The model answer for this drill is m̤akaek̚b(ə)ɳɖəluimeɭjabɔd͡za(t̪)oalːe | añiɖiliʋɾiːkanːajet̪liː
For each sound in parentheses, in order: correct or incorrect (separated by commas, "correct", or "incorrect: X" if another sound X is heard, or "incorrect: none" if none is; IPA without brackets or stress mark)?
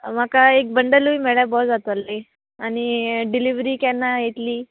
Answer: correct, correct